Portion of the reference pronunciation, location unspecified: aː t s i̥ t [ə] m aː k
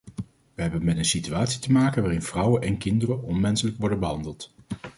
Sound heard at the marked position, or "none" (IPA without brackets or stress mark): ə